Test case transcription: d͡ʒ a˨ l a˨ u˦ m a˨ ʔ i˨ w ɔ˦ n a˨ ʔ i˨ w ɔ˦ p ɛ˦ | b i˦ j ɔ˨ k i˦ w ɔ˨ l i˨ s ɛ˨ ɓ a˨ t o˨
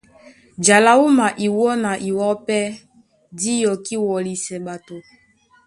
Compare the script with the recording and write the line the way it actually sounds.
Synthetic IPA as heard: d͡ʒ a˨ l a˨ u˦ m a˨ ʔ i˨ w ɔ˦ n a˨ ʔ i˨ w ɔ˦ p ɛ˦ | d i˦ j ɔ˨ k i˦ w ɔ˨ l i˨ s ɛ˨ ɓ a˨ t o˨